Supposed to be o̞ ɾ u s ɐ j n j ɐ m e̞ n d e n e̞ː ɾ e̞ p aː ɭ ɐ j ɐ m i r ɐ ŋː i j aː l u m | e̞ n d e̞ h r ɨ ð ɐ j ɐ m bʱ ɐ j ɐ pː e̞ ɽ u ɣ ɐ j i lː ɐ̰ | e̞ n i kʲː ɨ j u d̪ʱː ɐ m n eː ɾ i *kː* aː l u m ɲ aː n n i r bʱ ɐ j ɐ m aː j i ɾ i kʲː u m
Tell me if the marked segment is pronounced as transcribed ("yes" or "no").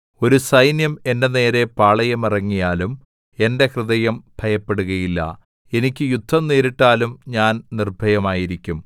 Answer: no